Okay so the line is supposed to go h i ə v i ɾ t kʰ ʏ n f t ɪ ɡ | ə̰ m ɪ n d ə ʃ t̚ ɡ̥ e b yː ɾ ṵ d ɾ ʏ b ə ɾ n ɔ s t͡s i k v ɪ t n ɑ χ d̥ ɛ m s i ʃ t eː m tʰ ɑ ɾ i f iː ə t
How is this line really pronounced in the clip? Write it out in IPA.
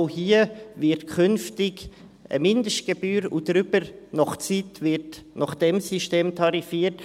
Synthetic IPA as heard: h i ə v ɪ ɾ t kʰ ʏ n f t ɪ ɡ | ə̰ m ɪ n d ə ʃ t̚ ɡ̥ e b yː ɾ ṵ d ɾ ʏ b ə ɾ n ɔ χ t͡s i t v ɪ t n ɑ χ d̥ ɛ m s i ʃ t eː m tʰ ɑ ɾ i f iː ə t